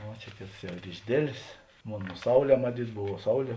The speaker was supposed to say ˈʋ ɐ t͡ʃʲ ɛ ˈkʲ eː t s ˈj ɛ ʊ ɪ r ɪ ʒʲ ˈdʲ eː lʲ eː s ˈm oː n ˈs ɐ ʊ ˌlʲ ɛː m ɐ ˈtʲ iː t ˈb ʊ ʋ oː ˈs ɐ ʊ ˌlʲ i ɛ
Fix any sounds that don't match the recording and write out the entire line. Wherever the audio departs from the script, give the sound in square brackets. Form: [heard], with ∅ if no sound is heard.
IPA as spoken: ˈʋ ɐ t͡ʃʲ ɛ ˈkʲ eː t s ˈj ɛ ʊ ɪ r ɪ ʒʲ ˈdʲ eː lʲ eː s ˈm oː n ˈs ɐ ʊ ˌlʲ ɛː m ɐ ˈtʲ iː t ˈb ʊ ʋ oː ˈs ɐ ʊ ˌlʲ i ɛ